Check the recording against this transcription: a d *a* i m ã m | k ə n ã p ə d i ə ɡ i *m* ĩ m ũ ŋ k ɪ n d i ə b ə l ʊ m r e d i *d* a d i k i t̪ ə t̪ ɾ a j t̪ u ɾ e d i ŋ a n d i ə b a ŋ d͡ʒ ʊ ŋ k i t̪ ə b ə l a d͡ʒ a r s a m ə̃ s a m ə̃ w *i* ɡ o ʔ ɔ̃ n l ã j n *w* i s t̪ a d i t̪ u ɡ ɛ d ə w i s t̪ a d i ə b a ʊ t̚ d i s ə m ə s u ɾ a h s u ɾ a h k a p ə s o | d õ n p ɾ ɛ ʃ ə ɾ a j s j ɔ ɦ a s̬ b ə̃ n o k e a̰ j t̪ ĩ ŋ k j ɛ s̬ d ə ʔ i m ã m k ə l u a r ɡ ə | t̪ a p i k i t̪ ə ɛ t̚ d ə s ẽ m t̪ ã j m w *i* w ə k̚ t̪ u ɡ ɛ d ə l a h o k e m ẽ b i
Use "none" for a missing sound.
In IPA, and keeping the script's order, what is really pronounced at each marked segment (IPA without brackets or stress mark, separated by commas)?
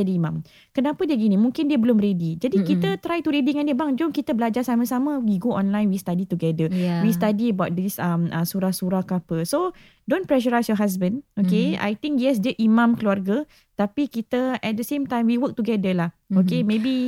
i, n, d͡ʒ, i, w, i